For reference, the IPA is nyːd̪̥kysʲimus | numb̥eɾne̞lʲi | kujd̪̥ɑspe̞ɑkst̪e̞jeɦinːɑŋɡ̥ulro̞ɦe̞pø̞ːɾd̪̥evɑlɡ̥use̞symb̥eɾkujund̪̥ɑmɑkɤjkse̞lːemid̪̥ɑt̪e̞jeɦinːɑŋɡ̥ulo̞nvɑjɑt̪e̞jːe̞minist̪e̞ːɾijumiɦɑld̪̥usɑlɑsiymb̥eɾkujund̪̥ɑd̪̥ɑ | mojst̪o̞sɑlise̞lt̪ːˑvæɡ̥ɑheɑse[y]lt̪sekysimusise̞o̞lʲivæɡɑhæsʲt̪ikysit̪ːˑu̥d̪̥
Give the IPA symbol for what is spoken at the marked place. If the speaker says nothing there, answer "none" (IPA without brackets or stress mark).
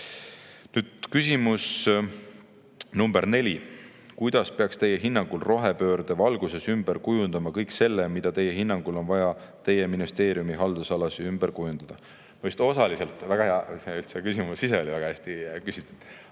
y